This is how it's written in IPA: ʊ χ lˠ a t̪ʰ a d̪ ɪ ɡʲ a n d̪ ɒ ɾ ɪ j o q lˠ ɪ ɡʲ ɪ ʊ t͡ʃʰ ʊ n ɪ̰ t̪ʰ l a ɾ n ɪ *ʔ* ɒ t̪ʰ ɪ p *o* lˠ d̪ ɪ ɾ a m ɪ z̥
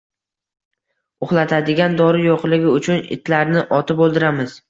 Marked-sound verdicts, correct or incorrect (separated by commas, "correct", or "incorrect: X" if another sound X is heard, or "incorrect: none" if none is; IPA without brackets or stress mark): correct, correct